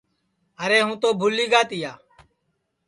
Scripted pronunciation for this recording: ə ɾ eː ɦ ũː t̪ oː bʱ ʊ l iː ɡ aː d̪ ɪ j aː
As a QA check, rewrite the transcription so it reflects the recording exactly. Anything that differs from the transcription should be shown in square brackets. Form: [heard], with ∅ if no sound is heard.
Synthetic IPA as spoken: ə ɾ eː ɦ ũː t̪ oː bʱ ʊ l iː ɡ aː [t̪] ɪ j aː